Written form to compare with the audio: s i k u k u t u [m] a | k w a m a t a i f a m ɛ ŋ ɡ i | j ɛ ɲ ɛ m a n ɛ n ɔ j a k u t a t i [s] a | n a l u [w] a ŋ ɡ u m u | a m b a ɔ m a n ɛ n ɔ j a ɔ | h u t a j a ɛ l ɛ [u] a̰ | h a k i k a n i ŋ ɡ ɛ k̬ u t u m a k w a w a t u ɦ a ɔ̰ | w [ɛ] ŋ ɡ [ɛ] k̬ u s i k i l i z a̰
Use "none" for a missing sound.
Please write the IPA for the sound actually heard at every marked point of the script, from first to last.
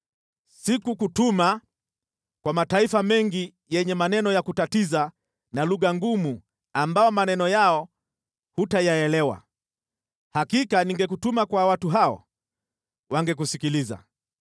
m, z, ɣ, w, a, ɛ

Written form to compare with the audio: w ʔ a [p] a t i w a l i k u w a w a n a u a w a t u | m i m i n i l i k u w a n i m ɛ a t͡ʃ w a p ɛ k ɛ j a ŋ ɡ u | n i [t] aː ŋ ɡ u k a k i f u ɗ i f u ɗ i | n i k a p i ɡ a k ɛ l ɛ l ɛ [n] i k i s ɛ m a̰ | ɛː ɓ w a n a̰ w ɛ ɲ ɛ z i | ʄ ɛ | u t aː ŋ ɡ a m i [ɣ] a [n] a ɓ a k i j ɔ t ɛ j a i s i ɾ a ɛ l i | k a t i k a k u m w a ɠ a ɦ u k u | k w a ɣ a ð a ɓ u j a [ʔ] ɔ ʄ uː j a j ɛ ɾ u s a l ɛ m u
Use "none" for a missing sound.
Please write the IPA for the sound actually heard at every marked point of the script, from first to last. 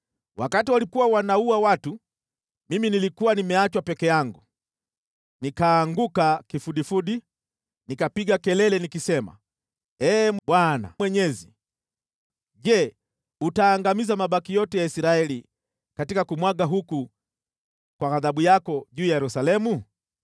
k, k, n, z, m, k

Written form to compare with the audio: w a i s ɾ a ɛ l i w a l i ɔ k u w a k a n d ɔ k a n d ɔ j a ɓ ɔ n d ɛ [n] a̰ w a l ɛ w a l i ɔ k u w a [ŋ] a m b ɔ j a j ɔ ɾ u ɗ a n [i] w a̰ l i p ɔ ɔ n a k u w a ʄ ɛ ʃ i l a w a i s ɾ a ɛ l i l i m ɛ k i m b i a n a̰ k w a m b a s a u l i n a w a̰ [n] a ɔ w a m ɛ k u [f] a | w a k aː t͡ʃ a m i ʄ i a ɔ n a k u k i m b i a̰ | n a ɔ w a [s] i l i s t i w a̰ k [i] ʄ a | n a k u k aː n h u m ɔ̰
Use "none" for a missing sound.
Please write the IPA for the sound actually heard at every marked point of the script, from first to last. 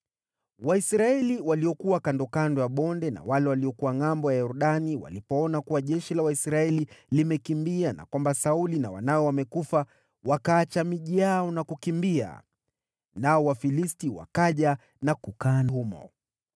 n, ŋ, i, n, f, f, a

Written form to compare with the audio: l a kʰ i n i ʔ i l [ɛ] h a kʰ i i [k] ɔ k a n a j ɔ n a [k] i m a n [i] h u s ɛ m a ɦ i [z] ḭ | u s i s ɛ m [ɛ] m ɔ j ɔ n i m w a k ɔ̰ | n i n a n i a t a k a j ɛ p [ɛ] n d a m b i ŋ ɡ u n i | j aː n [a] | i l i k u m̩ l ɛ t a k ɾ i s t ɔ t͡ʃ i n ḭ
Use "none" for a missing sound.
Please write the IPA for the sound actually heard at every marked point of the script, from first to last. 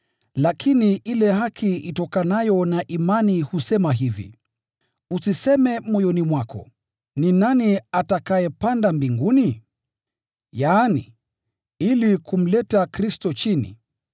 ɛ, t, ʔ, i, v, ɛ, a, i

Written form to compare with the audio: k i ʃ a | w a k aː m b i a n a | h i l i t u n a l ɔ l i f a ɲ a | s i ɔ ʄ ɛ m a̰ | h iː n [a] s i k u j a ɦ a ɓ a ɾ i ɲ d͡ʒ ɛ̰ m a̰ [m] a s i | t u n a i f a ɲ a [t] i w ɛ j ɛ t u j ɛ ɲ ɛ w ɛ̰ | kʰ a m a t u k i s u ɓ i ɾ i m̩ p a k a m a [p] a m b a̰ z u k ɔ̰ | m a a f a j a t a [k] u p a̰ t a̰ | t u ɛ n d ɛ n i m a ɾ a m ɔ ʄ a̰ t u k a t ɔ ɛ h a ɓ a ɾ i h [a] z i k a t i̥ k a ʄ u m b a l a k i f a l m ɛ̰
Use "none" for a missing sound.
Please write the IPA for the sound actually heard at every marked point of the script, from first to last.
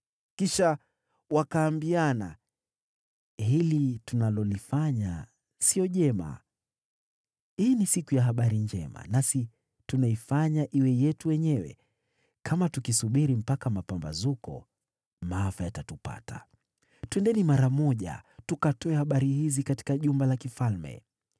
i, n, ʔ, p, t, i

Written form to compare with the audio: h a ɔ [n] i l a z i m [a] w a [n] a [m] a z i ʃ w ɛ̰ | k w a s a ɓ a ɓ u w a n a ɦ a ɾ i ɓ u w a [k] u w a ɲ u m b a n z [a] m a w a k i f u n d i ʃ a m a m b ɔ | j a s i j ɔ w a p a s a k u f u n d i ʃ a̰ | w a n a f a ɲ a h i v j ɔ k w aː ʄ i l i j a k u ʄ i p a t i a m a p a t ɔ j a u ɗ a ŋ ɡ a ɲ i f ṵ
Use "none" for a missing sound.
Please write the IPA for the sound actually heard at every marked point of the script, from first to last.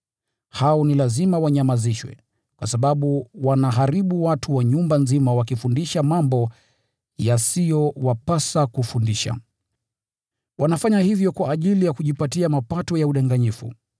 n, a, ɲ, m, t, i

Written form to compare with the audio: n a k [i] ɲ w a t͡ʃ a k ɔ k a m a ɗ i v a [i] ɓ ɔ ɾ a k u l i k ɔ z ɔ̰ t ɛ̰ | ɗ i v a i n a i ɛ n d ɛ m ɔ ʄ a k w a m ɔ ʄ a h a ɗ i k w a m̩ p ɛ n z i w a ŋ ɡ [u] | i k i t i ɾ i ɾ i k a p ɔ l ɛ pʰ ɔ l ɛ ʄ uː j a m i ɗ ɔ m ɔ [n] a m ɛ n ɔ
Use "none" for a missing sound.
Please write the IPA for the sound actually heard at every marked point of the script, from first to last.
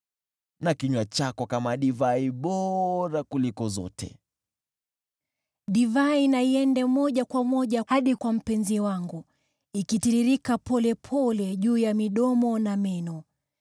i, i, u, n

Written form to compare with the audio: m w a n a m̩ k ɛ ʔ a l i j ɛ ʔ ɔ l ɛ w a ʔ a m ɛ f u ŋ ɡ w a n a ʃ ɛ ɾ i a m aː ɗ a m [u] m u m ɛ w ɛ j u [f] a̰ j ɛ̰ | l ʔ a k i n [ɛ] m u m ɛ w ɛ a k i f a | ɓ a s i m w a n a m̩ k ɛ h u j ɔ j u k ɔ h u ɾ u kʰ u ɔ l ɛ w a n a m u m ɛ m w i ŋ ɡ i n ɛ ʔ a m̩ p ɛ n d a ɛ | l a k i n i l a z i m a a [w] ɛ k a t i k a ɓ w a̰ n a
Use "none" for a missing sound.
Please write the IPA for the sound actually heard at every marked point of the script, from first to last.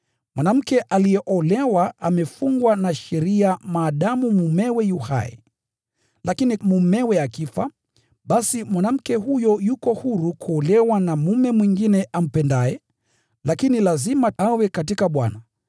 u, h, i, w

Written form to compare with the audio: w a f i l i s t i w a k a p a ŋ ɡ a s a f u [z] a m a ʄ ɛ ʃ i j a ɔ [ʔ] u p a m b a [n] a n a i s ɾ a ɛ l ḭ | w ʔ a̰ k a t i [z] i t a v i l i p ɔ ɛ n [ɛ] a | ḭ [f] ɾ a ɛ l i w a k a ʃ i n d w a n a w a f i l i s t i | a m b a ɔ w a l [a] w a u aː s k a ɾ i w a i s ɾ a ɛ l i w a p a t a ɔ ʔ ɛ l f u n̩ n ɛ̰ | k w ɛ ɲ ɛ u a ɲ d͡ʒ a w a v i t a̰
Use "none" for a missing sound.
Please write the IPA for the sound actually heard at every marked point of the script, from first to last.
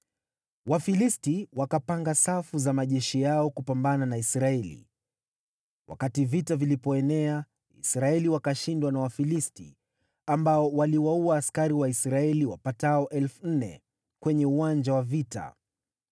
z, k, n, v, ɛ, s, i

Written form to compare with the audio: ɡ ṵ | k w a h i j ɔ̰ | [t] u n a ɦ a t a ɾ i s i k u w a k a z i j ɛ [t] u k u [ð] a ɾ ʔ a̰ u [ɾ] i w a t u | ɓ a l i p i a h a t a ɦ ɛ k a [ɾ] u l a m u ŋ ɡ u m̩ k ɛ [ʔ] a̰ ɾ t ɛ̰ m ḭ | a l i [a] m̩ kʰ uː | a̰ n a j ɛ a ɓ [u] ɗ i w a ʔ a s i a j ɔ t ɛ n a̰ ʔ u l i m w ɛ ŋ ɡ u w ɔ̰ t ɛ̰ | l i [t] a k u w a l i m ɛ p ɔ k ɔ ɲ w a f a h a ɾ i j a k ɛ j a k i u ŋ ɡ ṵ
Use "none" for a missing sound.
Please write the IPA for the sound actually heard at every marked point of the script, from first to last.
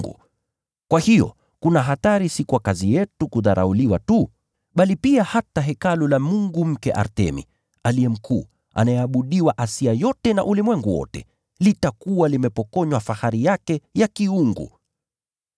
k, t, ð, l, l, ʔ, ɛ, u, t

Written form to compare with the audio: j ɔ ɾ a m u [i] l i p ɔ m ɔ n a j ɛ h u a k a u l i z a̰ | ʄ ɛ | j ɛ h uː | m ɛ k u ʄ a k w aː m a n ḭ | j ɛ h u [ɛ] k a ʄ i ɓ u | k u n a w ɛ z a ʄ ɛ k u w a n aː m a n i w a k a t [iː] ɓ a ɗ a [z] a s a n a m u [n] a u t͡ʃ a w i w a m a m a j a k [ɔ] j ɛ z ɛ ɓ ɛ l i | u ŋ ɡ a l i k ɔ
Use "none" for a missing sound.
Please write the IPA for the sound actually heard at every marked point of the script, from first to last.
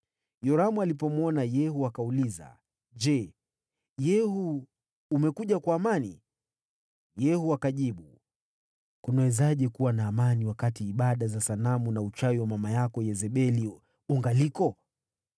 a, a, iː, z, n, ɔ

